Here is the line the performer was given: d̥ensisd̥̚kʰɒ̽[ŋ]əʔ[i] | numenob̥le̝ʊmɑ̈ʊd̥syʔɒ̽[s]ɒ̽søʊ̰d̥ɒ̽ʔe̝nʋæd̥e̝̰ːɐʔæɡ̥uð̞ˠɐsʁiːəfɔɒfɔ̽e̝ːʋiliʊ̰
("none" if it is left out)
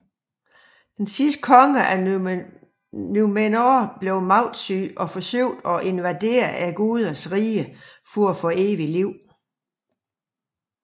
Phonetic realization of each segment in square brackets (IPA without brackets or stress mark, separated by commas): ŋ, æ, f